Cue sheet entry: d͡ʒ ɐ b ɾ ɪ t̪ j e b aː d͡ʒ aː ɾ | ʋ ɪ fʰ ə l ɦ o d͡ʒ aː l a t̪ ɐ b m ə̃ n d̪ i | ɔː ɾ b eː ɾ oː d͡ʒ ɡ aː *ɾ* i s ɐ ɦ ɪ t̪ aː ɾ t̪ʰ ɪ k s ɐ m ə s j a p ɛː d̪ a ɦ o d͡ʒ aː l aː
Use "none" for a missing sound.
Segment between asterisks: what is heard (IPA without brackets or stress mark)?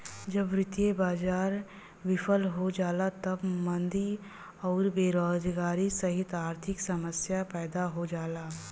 ɾ